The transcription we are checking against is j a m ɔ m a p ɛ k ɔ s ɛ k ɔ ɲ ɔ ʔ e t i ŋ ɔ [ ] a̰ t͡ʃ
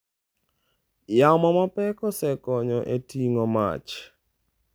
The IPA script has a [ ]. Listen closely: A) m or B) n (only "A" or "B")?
A